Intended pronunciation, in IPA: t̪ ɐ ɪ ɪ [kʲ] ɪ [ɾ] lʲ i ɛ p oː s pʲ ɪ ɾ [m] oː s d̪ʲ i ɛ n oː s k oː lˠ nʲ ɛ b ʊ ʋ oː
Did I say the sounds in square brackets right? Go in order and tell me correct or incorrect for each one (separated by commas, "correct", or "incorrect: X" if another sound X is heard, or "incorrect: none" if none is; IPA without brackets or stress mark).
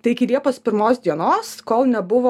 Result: correct, incorrect: none, correct